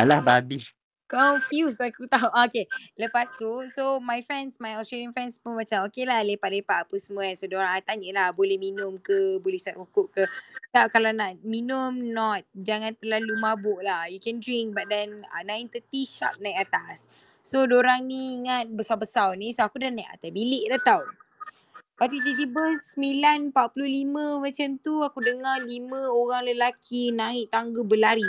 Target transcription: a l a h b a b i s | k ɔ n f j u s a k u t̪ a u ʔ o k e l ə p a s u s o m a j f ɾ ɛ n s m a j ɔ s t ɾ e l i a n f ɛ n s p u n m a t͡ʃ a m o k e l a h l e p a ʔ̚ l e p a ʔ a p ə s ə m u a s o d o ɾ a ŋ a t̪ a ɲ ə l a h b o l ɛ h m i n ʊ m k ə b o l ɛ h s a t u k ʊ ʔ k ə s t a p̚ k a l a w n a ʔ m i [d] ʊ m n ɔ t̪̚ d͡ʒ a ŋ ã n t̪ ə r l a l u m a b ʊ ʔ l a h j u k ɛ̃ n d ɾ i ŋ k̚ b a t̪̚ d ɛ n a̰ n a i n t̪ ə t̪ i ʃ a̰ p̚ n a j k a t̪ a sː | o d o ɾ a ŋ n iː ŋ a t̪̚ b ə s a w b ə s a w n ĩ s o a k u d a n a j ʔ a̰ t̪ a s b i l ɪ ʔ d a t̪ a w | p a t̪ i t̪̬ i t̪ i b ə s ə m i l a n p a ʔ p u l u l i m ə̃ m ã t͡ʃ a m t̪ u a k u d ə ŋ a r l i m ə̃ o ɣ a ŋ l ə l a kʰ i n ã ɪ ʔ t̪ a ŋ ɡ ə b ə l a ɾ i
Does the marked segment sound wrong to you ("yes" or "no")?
yes